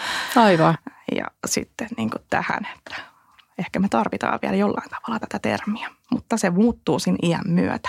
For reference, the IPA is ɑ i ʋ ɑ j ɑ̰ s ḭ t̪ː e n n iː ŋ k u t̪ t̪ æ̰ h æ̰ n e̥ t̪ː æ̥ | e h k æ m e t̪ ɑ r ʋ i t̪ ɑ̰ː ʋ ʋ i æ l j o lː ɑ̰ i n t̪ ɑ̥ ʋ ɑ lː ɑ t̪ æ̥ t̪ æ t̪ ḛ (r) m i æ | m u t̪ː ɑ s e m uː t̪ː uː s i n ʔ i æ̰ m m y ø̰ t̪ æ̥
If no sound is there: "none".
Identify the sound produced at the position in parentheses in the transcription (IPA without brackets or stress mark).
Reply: r